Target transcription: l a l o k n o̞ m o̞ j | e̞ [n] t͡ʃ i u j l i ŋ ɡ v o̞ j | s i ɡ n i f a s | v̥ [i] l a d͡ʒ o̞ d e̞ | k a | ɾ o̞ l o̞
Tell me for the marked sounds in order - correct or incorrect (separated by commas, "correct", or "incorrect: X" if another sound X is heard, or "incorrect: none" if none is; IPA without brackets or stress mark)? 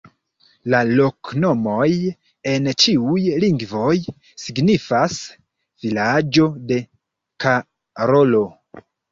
correct, correct